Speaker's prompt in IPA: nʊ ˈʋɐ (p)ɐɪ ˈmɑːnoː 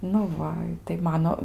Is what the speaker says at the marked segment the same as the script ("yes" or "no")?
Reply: no